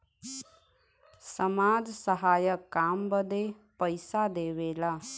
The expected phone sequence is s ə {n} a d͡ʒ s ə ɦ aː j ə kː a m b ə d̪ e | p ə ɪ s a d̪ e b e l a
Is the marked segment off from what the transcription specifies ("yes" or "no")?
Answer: yes